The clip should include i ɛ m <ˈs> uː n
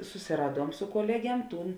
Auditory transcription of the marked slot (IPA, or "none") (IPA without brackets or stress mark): t